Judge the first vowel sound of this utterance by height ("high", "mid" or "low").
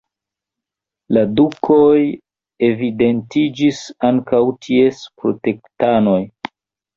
low